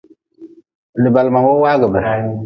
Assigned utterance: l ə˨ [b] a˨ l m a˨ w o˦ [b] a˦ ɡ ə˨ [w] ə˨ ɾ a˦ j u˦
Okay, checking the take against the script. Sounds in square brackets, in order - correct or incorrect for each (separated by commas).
correct, incorrect, incorrect